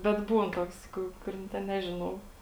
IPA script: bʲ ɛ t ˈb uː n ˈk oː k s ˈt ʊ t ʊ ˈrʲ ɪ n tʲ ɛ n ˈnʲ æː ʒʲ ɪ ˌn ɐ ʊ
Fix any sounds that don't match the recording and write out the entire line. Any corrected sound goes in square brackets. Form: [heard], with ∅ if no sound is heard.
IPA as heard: bʲ ɛ t ˈb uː n [ˈt] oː k s [ˈk] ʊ [k] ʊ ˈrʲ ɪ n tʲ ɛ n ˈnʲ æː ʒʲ ɪ ˌn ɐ ʊ